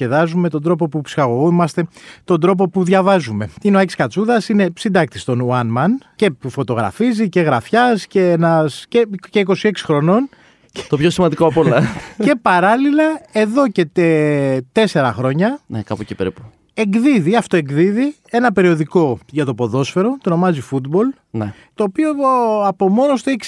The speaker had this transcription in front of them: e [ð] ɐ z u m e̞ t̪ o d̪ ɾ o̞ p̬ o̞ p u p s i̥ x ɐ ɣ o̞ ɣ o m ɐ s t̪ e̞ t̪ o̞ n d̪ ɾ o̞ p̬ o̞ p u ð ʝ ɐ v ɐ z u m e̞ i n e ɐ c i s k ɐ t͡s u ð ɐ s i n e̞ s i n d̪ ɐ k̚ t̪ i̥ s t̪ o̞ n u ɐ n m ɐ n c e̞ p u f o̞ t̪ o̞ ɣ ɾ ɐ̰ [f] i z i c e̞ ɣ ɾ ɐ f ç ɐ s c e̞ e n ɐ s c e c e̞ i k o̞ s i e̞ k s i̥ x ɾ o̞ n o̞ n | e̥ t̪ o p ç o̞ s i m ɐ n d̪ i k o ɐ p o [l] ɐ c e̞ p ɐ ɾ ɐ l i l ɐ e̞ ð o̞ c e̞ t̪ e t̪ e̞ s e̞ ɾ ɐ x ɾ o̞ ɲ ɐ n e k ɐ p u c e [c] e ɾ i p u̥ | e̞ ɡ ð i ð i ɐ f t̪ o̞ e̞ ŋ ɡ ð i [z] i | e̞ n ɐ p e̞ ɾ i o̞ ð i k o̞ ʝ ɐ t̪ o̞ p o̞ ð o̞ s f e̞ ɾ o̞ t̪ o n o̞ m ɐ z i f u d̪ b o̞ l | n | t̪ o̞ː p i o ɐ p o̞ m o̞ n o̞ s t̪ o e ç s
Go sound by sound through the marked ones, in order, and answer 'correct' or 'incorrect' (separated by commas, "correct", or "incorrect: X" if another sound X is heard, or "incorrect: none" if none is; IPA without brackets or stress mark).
correct, correct, correct, incorrect: p, incorrect: ð